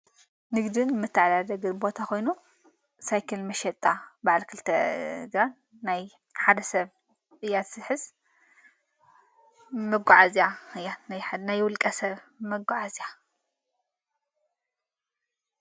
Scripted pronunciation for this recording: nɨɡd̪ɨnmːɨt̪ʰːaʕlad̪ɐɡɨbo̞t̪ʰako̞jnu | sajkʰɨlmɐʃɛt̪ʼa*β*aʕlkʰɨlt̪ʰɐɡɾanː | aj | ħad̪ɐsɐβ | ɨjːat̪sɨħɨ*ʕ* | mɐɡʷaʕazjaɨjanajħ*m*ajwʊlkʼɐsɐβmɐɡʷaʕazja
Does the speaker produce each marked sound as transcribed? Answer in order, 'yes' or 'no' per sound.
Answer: no, no, no

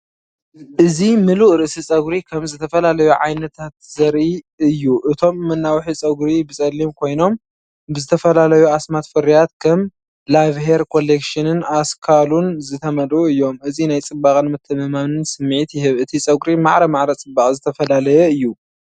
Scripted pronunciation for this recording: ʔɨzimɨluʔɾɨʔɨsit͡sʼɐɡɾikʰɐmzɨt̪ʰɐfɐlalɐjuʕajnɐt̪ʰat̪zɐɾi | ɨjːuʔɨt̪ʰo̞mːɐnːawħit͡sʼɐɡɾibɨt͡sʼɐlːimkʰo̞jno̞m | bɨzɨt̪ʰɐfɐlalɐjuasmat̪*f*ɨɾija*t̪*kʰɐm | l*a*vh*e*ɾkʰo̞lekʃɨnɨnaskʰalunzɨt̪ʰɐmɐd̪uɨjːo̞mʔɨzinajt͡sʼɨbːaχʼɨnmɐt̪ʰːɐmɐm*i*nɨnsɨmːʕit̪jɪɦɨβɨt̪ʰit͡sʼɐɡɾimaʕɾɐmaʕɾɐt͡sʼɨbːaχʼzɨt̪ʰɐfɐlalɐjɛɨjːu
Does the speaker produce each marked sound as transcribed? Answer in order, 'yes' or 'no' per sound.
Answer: yes, yes, yes, yes, no

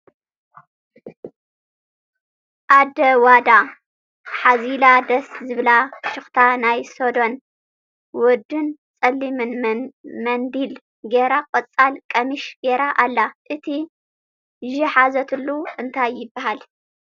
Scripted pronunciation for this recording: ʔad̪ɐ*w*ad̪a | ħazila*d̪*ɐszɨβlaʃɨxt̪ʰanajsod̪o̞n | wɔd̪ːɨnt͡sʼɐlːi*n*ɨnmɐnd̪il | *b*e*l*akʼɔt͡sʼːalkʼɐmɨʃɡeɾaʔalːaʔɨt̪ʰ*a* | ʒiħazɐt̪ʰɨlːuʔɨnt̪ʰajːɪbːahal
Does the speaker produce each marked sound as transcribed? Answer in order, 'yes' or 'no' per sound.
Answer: yes, yes, no, no, no, no

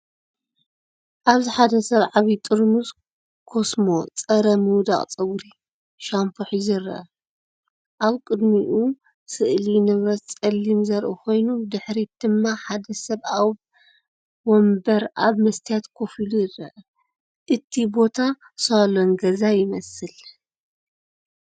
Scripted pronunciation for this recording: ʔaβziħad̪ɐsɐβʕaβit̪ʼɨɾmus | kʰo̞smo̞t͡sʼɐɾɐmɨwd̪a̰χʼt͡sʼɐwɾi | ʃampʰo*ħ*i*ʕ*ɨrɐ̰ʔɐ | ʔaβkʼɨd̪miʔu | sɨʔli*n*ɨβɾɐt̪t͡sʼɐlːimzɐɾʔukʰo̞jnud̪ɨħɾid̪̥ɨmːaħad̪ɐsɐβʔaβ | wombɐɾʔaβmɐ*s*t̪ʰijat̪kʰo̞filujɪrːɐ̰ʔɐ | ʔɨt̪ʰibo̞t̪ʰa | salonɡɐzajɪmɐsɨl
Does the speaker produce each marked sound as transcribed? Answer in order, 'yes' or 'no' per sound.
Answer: yes, no, yes, yes

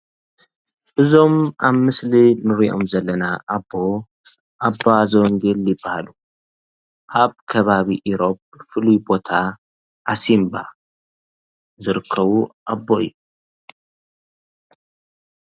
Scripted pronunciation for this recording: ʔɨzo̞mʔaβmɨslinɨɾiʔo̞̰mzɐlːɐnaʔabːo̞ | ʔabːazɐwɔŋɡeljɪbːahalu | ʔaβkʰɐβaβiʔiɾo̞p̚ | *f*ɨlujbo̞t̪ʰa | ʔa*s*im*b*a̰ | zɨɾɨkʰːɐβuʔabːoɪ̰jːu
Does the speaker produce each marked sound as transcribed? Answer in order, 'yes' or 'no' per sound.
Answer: yes, yes, yes

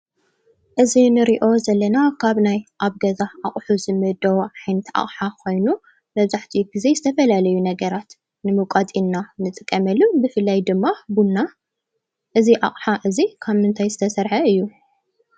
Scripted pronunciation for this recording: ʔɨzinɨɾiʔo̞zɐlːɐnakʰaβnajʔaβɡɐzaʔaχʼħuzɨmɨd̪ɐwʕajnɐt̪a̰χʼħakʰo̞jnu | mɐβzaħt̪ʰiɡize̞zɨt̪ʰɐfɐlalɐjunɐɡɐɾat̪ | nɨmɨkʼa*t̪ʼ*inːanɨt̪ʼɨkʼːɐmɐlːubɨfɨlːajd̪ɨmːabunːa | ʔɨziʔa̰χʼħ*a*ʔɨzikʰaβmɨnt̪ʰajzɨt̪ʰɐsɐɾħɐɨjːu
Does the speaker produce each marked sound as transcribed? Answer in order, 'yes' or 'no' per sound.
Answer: yes, yes

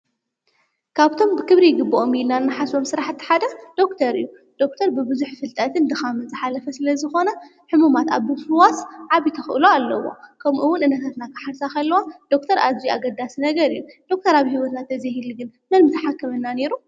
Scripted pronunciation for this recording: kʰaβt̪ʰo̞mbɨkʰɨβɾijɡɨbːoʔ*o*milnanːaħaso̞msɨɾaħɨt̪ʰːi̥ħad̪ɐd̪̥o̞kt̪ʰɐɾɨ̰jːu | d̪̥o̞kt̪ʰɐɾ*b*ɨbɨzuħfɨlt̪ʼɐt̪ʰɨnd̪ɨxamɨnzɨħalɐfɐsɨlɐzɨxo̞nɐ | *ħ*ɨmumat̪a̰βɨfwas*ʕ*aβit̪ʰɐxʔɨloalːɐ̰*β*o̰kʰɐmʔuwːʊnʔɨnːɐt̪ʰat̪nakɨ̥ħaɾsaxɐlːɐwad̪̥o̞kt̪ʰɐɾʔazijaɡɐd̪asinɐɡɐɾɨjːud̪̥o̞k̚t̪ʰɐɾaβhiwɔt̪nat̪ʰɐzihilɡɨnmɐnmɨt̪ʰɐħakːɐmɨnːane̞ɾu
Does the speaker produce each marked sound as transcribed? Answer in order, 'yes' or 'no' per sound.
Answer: yes, yes, yes, yes, no

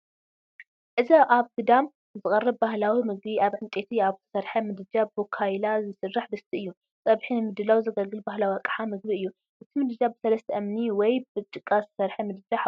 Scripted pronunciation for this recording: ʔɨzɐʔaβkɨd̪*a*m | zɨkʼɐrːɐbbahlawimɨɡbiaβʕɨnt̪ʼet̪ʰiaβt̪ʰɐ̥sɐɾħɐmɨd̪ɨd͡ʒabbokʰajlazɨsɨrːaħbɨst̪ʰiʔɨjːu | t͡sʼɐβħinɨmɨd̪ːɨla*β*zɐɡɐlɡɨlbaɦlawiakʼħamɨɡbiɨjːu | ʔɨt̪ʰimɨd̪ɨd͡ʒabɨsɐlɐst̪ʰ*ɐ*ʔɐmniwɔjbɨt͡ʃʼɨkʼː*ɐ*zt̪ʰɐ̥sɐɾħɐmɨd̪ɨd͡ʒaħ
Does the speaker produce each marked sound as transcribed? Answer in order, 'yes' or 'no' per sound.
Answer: yes, no, yes, no

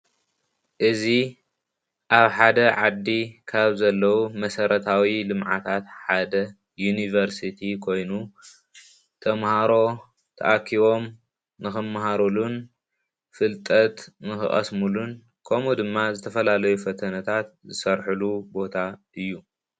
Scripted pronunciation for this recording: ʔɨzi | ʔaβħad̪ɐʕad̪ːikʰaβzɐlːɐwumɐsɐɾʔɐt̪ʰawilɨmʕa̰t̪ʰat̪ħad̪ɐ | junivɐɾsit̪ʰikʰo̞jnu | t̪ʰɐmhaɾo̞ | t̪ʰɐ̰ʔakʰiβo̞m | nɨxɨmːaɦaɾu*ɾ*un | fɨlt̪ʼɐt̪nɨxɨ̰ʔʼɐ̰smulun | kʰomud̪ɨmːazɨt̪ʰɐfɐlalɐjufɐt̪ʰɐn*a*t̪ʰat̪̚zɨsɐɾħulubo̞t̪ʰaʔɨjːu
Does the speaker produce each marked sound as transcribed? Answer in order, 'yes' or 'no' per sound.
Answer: no, no

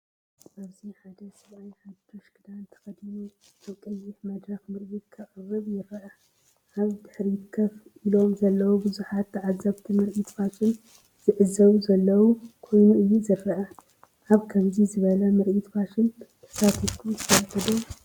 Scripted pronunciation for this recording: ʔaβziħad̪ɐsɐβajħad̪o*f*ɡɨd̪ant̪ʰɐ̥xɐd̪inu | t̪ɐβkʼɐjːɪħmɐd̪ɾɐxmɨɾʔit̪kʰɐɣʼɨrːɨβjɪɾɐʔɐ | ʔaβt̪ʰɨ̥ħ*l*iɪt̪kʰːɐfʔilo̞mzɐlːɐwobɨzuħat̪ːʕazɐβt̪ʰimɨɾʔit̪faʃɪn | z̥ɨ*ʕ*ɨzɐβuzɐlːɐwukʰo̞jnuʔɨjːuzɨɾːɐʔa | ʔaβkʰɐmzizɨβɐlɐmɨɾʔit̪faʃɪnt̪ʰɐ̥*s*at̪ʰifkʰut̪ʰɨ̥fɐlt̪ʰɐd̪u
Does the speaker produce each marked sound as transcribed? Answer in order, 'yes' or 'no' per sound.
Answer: no, no, yes, yes

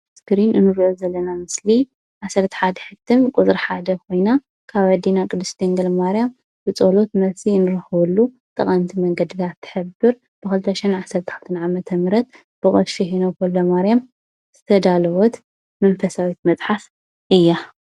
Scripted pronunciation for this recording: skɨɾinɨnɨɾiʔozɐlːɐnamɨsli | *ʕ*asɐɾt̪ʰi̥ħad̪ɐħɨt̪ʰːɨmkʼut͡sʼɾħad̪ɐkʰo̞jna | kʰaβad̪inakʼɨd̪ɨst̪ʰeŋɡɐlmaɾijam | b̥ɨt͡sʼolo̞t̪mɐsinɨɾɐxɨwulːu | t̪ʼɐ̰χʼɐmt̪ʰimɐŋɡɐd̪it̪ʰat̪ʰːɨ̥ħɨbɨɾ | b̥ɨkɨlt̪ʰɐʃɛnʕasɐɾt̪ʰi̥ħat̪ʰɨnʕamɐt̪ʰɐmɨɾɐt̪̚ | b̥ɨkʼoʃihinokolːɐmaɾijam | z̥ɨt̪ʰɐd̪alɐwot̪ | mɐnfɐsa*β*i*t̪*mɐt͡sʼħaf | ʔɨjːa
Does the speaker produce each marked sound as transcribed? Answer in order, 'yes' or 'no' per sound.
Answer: yes, no, yes

